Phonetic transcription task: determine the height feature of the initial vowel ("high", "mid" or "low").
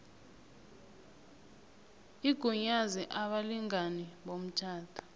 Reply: high